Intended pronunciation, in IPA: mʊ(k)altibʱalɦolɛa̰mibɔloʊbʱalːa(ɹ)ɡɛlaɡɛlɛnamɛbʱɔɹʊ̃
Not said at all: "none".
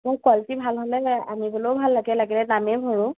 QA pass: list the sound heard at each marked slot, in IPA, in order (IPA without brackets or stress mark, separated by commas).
k, none